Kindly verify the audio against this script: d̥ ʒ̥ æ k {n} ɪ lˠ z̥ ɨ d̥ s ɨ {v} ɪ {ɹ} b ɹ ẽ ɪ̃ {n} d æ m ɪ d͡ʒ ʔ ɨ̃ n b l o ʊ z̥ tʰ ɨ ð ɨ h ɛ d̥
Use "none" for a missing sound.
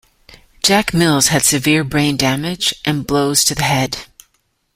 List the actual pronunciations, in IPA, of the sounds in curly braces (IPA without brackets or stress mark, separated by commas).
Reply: m, v, ɹ, n